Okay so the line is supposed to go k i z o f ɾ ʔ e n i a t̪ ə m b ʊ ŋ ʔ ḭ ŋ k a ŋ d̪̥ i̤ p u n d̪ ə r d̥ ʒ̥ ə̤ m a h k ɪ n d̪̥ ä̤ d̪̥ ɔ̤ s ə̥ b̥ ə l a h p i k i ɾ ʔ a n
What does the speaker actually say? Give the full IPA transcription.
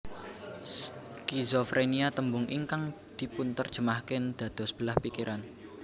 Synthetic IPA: k i z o f ɾ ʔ e n i a t̪ ə m b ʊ ŋ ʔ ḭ ŋ k a ŋ d̪̥ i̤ p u n t̪ ə r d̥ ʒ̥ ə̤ m a h k ɪ n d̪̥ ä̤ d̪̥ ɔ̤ s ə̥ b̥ ə l a h p i k i ɾ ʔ a n